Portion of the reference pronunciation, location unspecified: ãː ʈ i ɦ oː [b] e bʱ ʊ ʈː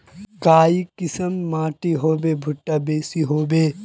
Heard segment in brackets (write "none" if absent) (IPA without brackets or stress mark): b